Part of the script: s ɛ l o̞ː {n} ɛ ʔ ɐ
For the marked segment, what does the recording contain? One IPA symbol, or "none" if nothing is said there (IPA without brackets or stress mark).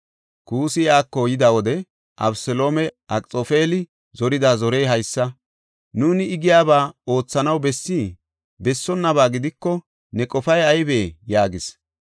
m